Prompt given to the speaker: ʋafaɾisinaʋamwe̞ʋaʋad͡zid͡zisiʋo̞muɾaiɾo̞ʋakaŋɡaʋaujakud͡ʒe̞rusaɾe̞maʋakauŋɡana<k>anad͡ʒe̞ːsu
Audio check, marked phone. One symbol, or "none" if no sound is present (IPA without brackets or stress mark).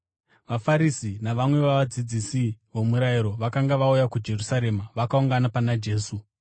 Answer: p